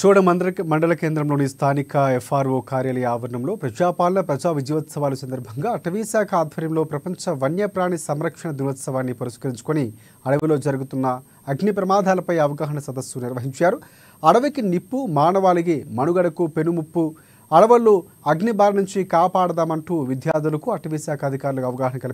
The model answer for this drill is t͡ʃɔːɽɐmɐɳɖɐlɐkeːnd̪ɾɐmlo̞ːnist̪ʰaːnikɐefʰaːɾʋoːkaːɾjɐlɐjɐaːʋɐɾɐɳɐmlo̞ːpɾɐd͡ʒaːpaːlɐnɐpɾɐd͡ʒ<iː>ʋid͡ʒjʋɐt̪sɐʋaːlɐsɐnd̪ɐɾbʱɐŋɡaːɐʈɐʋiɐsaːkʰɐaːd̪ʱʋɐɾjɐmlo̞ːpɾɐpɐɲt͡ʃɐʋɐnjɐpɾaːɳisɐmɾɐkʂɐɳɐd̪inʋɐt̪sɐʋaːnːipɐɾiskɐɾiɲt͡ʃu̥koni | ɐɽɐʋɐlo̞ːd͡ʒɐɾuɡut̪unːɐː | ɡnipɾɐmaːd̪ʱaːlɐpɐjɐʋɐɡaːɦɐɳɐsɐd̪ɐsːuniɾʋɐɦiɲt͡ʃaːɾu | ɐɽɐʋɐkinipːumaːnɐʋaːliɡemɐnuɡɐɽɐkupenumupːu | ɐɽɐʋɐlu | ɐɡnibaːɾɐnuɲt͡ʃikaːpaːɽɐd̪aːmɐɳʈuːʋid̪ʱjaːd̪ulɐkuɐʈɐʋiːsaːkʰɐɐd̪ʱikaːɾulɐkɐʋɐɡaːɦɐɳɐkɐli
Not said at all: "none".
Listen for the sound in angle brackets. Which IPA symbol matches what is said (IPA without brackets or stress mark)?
aː